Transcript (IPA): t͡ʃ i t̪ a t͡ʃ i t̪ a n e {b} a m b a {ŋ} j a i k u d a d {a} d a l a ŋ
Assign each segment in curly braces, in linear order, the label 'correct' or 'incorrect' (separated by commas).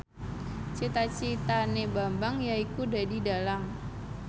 correct, correct, incorrect